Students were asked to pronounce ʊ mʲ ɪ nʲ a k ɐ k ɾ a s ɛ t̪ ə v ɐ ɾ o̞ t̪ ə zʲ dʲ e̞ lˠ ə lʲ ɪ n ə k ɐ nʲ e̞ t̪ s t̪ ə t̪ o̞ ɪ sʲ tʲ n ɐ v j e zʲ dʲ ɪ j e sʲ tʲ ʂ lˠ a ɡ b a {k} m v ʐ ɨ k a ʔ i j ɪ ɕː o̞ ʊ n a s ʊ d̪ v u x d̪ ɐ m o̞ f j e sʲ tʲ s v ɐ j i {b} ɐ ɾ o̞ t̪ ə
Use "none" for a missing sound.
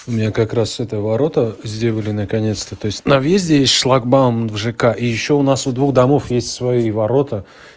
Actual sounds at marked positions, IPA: none, v

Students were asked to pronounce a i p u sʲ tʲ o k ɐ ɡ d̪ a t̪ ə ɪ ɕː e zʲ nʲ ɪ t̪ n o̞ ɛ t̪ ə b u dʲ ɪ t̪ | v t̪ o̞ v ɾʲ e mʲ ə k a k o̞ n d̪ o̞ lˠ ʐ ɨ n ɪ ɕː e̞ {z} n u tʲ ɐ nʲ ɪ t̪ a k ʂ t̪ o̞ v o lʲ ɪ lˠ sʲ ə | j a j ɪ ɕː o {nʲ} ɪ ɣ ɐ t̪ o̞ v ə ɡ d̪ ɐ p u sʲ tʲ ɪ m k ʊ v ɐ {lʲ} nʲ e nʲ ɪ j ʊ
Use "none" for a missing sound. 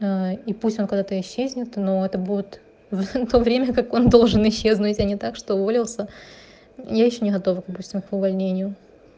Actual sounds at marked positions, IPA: z, nʲ, lʲ

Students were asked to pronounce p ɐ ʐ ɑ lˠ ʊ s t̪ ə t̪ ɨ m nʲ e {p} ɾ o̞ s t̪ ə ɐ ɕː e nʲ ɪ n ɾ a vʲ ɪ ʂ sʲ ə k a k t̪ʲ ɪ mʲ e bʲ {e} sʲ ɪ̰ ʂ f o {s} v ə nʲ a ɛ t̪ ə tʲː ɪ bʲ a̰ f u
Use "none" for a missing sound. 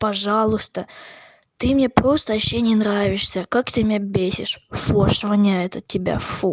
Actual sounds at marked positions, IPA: p, e, ʂ

